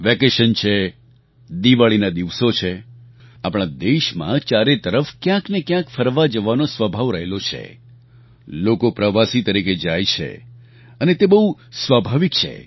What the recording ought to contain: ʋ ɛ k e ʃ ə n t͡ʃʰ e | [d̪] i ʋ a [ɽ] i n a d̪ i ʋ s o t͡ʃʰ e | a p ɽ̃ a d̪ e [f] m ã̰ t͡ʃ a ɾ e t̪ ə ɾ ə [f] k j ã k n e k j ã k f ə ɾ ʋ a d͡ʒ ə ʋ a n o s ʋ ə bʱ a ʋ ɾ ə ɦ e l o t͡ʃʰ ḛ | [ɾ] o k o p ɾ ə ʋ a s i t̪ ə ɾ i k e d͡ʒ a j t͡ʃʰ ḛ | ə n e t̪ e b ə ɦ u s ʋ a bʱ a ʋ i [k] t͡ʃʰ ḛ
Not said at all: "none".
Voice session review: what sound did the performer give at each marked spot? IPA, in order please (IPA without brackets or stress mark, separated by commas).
d̪, ɭ, ʃ, f, l, k